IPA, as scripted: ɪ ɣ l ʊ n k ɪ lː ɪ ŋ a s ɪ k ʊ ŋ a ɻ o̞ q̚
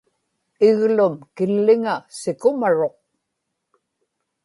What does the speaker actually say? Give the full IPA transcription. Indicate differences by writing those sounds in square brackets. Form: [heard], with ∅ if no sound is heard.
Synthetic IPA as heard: ɪ ɣ l ʊ [m] k ɪ lː ɪ ŋ a s ɪ k ʊ [m] a ɻ o̞ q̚